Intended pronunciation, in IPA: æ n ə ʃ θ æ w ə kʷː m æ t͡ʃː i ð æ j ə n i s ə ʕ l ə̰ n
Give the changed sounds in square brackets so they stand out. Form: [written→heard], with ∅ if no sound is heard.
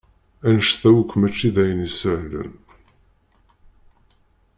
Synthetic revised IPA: æ n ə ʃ θ æ w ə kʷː m æ t͡ʃː i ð æ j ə n i s ə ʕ l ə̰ n